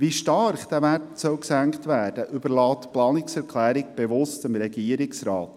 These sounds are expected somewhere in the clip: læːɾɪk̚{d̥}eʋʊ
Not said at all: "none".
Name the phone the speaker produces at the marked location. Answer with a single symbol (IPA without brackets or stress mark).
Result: b̥